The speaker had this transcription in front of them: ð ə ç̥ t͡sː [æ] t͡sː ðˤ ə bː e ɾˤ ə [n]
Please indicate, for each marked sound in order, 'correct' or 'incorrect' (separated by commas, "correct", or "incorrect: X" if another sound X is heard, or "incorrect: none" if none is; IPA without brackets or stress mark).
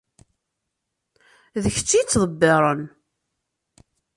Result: incorrect: i, correct